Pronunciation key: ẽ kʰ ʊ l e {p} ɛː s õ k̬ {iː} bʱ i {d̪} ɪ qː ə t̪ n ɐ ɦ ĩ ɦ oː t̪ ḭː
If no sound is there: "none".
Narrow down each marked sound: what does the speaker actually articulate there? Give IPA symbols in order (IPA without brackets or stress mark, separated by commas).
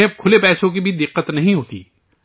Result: p, i, d̪